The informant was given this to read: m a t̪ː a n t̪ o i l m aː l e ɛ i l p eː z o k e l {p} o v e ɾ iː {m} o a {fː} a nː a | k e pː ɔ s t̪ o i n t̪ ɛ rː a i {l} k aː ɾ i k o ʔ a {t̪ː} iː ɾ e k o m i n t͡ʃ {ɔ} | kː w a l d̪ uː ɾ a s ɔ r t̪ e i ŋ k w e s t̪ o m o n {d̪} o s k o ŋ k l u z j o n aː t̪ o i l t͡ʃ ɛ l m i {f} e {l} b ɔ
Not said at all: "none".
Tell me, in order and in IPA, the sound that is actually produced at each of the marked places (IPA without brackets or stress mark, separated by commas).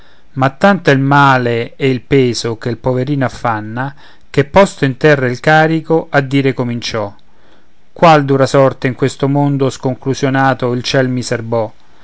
p, n, fː, l, d̪ː, ɔ, d̪, s, r